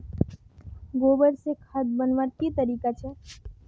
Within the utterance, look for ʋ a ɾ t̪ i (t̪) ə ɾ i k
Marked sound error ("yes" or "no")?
no